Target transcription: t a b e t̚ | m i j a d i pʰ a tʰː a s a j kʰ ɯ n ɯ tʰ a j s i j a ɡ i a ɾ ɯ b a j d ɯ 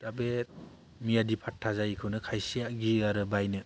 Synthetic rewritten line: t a b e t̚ | m i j a d i pʰ a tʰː a z a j kʰ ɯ n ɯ kʰ a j s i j a ɡ i a ɾ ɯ b a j n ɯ